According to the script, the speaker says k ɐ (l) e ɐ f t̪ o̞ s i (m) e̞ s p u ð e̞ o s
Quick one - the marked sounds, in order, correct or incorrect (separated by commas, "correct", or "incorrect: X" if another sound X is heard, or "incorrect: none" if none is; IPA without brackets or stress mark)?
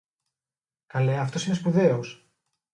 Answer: correct, incorrect: n